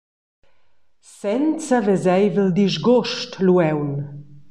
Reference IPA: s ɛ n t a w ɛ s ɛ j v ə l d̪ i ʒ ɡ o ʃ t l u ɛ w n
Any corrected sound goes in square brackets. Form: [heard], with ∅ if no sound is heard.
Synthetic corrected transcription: s ɛ n [t͡s] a [v] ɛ [z] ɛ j v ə l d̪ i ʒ ɡ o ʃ t l u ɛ w n